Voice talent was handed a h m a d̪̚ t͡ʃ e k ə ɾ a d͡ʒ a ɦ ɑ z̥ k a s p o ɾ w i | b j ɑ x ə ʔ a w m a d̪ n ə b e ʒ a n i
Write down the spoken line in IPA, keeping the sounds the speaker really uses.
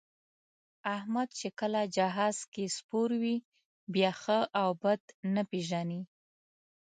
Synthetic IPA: a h m a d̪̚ t͡ʃ e k ə l a d͡ʒ a ɦ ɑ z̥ k e s p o ɾ w i | b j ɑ x ə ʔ a w b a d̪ n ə p e ʒ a n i